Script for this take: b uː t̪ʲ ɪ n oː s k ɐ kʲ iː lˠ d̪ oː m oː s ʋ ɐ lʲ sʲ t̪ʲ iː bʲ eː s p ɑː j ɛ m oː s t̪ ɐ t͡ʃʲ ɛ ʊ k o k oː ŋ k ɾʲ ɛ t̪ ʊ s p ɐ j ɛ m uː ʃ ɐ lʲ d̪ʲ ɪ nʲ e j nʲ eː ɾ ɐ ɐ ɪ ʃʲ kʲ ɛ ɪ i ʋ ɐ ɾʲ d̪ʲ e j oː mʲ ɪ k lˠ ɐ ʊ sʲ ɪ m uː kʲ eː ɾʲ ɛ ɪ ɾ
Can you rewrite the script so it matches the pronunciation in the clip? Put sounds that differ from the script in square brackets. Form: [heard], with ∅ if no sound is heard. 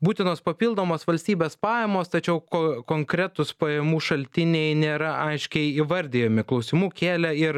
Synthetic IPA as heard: b uː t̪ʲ ɪ n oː s [p] ɐ [pʲ] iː lˠ d̪ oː m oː s ʋ ɐ lʲ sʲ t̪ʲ iː bʲ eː s p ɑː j ɛ m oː s t̪ ɐ t͡ʃʲ ɛ ʊ k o k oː ŋ k ɾʲ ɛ t̪ ʊ s p ɐ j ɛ m uː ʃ ɐ lʲ [t̪ʲ] ɪ nʲ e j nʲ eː ɾ ɐ ɐ ɪ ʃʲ kʲ ɛ ɪ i ʋ ɐ ɾʲ d̪ʲ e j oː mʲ ɪ k lˠ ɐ ʊ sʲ ɪ m uː kʲ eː [lʲ] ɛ ɪ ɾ